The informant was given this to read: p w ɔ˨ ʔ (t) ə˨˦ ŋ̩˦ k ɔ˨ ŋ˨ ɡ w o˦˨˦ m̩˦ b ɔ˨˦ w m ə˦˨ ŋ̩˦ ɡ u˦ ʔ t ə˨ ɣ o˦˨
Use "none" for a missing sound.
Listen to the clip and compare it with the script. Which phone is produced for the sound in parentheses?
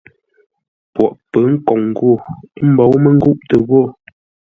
p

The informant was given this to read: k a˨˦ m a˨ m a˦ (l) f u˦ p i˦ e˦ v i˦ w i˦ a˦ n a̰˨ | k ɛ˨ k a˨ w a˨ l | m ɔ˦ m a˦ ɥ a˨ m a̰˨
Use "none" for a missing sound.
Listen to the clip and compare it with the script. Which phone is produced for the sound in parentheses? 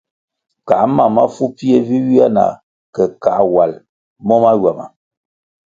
none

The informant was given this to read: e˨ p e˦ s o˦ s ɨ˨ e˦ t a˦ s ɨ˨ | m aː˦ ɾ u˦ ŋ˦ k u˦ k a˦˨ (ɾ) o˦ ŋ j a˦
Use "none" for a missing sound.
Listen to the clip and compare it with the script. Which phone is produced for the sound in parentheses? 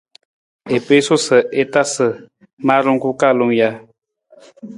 l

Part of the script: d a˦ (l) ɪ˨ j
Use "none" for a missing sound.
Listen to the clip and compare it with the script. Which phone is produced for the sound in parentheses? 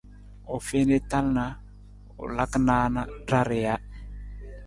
ɾ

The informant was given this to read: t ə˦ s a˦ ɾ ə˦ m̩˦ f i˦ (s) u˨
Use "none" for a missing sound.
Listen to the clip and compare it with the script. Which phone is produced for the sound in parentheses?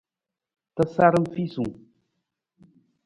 s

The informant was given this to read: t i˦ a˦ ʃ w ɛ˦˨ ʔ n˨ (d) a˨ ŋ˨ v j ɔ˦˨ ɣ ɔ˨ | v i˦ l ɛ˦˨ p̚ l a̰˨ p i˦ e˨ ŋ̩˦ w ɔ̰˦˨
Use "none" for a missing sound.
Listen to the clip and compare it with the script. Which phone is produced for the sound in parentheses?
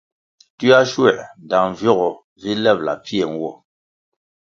d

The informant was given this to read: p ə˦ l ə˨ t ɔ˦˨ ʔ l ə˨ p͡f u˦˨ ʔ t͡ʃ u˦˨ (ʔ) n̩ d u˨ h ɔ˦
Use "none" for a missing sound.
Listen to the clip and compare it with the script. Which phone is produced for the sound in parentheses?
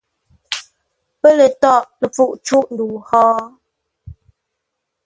ʔ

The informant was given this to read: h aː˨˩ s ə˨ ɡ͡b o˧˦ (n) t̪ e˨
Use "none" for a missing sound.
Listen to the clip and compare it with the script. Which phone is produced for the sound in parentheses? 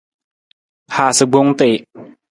ŋ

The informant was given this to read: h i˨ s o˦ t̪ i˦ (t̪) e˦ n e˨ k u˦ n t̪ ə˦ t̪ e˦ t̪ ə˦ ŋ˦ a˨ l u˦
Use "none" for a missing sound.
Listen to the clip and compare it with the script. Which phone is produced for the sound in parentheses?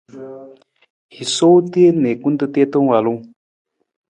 none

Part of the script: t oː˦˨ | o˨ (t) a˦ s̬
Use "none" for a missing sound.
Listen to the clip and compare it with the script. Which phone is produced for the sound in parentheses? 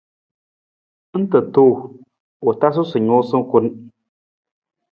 t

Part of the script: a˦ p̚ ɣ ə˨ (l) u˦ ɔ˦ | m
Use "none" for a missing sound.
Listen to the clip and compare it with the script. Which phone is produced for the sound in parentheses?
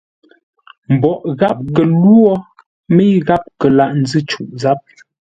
l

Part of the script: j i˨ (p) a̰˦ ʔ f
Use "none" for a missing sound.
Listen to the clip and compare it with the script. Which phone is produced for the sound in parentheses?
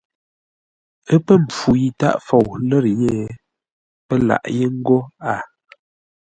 t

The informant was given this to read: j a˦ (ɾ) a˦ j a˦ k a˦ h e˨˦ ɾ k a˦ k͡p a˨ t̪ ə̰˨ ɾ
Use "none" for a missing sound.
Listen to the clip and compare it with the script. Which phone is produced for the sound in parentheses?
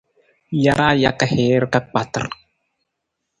ɾ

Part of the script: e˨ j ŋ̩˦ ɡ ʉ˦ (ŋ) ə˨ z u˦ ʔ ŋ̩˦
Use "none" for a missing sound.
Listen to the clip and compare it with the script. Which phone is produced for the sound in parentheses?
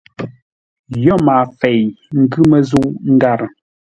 m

